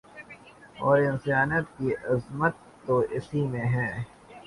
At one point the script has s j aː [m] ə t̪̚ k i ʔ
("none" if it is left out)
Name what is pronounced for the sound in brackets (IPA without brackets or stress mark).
n